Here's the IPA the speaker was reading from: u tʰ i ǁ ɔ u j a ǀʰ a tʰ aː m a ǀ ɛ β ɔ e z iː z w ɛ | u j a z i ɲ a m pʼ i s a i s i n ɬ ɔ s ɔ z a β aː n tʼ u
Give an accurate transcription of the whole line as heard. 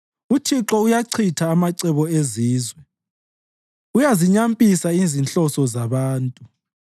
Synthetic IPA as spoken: u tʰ i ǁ ɔ u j a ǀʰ i tʰ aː m a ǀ ɛ β ɔ e z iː z w ɛ | u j a z i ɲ a m pʼ i s a i z i n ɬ ɔ s ɔ z a β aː n tʼ u